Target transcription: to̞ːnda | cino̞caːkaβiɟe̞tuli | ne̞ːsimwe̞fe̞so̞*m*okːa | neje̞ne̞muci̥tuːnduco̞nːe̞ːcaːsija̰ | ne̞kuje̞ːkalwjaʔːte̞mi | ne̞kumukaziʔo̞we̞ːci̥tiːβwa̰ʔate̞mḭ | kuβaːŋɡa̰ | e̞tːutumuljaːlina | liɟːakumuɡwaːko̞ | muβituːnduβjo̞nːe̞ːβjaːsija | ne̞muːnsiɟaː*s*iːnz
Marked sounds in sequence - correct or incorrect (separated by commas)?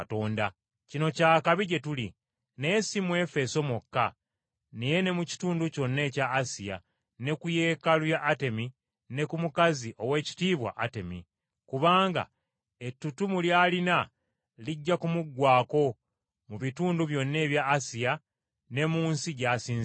correct, correct